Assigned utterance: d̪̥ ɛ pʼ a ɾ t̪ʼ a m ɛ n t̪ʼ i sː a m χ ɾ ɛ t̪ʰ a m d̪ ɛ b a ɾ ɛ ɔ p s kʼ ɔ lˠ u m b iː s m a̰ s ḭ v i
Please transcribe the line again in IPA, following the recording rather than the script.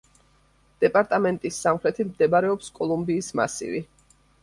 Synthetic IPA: d̪̥ ɛ pʼ a ɾ t̪ʼ a m ɛ n t̪ʼ i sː a m χ ɾ ɛ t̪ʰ i m d̪ ɛ b a ɾ ɛ ɔ p s kʼ ɔ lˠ u m b iː s m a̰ s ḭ v i